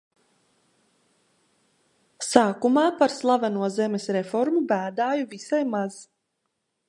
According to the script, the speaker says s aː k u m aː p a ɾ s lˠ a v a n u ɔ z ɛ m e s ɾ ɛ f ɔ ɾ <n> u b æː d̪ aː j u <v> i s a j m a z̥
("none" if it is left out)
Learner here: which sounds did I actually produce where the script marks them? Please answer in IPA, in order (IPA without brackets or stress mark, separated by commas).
m, v